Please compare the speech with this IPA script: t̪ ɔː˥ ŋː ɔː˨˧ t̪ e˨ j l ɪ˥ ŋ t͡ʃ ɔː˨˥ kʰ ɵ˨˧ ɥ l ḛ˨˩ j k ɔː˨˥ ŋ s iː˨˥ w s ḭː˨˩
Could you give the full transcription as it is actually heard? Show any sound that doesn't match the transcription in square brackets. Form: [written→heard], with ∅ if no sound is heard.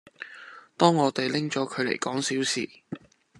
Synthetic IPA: t̪ ɔː˥ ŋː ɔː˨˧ t̪ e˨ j l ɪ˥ ŋ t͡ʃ ɔː˨˥ kʰ ɵ˨˧ ɥ l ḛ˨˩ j k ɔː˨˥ ŋ s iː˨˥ w s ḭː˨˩